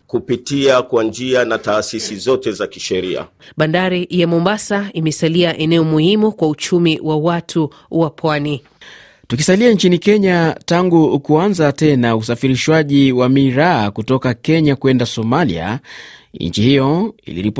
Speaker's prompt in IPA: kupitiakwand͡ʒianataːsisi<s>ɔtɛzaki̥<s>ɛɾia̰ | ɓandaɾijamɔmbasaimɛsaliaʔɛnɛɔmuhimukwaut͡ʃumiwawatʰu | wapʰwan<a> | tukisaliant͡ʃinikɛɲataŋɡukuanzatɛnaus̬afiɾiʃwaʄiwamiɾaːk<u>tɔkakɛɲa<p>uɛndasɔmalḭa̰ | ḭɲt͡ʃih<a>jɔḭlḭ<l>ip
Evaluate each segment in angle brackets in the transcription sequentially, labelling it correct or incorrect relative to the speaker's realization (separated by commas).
incorrect, incorrect, incorrect, correct, incorrect, incorrect, incorrect